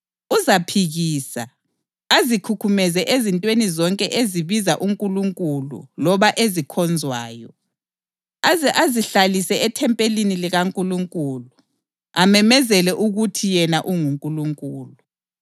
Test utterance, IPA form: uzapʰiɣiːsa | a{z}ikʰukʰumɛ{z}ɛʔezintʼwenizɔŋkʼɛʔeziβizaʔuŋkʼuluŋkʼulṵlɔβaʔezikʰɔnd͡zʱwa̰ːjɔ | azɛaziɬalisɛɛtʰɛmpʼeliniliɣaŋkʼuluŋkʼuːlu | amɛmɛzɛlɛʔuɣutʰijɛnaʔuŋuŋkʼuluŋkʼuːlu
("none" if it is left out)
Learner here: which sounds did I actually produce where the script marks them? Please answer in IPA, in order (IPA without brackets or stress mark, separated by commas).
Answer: z, z